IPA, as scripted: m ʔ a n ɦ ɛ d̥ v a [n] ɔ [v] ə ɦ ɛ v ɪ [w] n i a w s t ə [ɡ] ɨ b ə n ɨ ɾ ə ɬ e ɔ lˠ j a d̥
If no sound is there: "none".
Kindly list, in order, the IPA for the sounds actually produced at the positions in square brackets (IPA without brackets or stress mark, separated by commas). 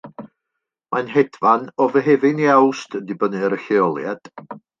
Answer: n, v, none, d